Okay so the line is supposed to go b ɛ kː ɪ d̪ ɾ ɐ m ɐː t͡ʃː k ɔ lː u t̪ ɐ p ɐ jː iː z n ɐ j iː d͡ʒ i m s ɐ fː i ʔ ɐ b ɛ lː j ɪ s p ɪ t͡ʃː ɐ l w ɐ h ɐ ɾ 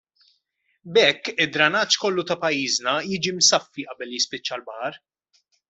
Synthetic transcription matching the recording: b ɛ kː ɪ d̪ ɾ ɐ n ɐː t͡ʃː k ɔ lː u t̪ ɐ p ɐ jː iː z n ɐ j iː d͡ʒ i m s ɐ fː i ʔ ɐ b ɛ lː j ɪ s p ɪ t͡ʃː ɐ l b ɐ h ɐ ɾ